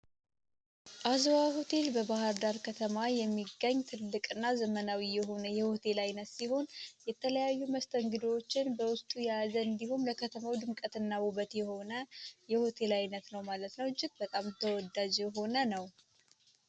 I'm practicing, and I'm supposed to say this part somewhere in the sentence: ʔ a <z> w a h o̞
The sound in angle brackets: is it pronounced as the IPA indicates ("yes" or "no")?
yes